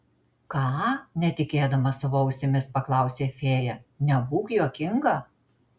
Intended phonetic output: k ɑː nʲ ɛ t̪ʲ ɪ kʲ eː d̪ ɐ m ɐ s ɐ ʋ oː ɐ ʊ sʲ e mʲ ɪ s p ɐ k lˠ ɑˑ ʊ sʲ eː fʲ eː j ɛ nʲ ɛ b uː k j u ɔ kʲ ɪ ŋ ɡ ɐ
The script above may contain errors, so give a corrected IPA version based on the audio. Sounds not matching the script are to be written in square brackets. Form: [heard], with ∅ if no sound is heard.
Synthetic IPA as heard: k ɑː nʲ ɛ t̪ʲ ɪ kʲ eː d̪ ɐ m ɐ s ɐ ʋ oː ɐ ʊ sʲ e mʲ ɪ s p ɐ k lˠ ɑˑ ʊ sʲ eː fʲ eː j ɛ nʲ ɛ b uː k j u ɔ kʲ ɪ ŋ ɡ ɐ